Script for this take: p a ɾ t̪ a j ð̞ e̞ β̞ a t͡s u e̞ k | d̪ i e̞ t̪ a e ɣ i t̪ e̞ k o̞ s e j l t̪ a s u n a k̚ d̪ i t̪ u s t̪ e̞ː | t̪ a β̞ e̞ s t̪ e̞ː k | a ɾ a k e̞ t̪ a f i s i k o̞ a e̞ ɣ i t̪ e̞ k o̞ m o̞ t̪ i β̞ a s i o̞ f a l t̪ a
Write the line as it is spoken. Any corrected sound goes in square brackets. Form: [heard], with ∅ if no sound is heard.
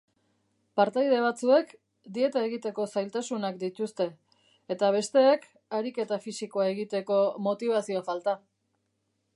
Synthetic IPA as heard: p a ɾ t̪ a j ð̞ e̞ β̞ a t͡s u e̞ k | d̪ i e̞ t̪ a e ɣ i t̪ e̞ k o̞ s [a] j l t̪ a s u n a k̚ d̪ i t̪ u s t̪ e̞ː | t̪ a β̞ e̞ s t̪ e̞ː k | a ɾ [i] k e̞ t̪ a f i s i k o̞ a e̞ ɣ i t̪ e̞ k o̞ m o̞ t̪ i β̞ a s i o̞ f a l t̪ a